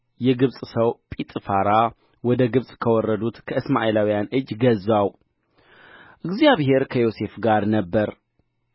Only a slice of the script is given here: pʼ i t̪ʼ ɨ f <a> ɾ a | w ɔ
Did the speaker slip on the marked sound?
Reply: no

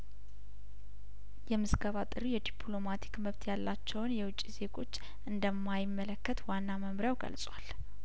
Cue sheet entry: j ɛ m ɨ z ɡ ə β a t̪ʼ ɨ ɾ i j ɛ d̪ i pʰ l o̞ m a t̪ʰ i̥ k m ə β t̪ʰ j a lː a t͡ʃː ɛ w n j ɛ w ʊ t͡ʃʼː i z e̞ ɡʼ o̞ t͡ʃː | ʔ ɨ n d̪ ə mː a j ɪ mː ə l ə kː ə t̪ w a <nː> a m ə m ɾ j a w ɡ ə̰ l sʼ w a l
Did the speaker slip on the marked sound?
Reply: no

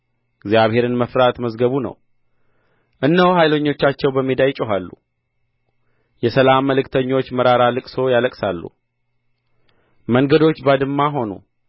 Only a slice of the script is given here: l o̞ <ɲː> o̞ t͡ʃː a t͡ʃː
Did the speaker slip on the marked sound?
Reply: no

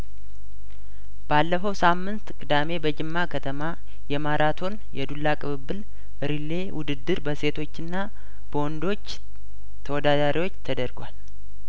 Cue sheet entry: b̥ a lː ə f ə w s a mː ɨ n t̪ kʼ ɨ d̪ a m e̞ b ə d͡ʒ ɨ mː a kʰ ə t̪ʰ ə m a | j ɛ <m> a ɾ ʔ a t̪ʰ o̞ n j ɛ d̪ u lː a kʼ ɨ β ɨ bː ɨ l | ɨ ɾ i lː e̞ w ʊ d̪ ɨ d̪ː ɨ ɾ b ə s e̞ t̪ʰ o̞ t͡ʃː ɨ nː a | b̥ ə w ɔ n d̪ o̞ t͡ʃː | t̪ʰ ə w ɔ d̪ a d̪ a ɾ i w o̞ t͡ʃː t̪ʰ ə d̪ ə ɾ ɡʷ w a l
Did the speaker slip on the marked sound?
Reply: no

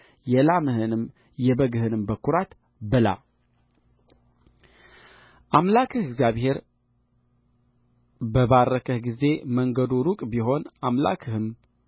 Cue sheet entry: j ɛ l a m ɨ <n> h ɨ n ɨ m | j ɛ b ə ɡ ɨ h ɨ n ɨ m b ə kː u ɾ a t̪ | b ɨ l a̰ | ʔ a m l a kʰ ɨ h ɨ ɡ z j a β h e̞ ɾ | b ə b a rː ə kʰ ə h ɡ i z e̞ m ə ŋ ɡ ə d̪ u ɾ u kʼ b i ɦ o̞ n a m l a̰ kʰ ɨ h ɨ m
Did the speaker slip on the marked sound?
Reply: yes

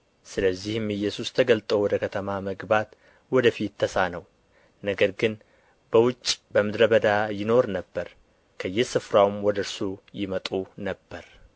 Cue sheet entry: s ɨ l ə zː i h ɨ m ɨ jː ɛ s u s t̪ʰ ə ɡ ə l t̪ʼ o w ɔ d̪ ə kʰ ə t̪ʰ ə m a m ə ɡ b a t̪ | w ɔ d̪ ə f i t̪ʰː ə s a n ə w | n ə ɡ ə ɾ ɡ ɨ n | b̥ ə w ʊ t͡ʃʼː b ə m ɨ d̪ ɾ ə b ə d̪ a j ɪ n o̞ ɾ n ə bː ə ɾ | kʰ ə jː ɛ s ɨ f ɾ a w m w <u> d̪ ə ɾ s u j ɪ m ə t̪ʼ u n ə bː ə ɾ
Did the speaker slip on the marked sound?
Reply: yes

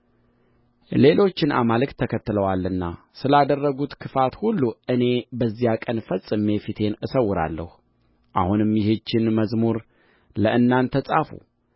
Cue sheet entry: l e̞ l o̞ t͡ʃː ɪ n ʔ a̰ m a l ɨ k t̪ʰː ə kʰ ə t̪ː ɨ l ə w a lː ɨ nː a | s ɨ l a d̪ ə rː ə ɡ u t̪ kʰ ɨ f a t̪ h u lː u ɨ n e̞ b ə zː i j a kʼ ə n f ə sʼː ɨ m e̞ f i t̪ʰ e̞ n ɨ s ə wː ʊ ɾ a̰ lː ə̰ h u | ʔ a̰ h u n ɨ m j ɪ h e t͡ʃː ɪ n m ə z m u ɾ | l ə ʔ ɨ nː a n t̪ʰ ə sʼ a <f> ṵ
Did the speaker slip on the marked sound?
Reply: no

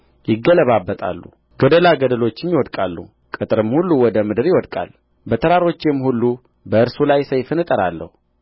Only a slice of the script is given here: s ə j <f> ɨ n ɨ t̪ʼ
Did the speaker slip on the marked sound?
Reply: no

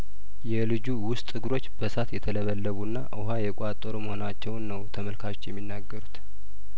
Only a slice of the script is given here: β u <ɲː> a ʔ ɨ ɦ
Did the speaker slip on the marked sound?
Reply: yes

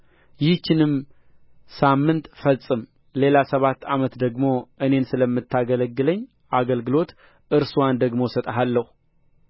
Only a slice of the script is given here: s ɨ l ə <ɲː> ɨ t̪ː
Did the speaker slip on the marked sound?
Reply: yes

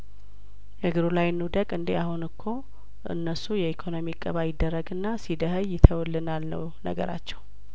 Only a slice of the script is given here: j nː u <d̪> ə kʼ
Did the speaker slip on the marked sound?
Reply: no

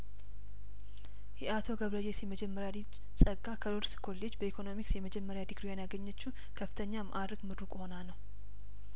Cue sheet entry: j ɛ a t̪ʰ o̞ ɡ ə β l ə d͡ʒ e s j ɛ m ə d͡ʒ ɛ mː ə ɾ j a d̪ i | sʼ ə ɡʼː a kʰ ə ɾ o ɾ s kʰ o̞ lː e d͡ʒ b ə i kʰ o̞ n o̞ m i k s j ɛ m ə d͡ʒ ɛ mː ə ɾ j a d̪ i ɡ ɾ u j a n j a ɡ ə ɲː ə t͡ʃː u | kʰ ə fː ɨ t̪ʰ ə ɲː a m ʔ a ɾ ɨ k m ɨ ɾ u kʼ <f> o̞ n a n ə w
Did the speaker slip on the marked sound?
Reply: yes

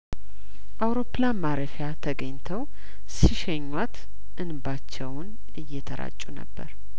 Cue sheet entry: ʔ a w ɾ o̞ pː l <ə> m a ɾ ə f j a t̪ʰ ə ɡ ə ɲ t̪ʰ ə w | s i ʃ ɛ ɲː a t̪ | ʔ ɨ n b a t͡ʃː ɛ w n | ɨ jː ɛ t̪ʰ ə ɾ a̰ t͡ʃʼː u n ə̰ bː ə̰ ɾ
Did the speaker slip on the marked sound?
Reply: yes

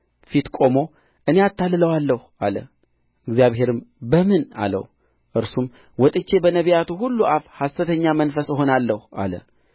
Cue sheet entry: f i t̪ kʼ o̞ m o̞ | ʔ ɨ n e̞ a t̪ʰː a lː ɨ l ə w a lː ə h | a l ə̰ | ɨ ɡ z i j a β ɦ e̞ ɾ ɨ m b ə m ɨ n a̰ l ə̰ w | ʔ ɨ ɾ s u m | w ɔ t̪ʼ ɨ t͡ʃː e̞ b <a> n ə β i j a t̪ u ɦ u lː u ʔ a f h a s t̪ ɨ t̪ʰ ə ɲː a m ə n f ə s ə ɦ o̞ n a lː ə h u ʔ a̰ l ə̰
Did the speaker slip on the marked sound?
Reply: yes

